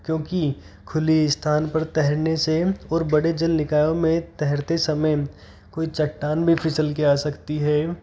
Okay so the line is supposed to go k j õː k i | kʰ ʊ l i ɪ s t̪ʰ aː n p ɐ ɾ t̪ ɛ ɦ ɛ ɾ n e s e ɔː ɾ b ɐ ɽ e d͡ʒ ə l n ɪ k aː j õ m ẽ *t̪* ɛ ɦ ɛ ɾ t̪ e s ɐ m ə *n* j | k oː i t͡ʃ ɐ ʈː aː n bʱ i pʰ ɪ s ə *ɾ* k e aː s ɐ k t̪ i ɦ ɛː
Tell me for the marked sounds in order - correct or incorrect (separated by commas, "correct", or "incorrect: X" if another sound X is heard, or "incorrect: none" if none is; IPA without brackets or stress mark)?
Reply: correct, incorrect: none, incorrect: l